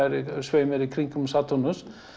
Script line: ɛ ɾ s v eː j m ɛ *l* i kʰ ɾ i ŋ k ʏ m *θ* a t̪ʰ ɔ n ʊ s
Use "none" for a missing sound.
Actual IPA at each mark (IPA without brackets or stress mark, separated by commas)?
ɾ, s